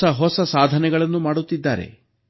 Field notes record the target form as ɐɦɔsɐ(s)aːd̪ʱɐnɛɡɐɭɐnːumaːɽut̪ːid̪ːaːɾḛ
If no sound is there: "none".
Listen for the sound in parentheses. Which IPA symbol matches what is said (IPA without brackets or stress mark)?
s